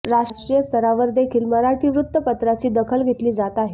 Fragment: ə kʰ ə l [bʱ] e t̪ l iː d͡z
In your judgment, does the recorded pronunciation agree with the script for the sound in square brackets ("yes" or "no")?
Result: no